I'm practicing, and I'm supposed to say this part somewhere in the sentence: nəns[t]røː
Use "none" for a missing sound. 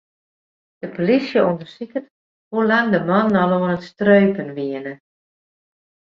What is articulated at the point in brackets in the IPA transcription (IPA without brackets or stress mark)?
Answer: t